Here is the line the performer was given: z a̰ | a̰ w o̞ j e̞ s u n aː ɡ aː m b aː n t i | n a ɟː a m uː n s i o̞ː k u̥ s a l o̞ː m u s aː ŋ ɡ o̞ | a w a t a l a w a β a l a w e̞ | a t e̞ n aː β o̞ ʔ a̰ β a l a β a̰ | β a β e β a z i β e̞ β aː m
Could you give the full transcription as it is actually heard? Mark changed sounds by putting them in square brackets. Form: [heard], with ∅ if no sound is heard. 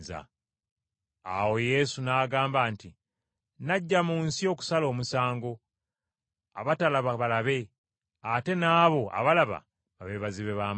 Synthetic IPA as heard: z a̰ | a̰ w o̞ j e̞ s u n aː ɡ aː m b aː n t i | n a ɟː a m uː n s i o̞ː k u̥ s a l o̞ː m u s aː ŋ ɡ o̞ | a [β] a t a l a [β] a β a l a [β] e̞ | a t e̞ n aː β o̞ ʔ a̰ β a l a β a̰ | β a β e β a z i β e̞ β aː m